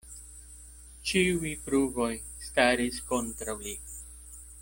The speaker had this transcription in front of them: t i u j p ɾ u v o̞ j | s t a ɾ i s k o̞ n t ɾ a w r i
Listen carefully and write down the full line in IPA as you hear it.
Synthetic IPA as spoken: t͡ʃ i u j p ɾ u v o̞ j | s t a ɾ i s k o̞ n t ɾ a w l i